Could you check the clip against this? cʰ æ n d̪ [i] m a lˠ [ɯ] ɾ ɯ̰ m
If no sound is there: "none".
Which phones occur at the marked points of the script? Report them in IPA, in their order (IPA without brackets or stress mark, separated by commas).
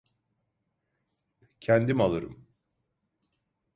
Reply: i, ɯ